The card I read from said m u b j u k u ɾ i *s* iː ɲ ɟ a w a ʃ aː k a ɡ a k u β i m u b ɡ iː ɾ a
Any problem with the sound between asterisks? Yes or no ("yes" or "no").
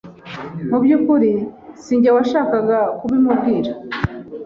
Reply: no